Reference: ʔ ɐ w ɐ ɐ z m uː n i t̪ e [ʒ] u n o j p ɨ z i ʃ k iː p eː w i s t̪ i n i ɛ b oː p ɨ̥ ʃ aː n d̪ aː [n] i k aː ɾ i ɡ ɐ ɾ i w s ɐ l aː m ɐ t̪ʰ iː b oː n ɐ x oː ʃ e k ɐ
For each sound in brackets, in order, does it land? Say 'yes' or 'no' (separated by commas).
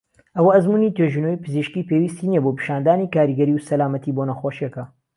yes, yes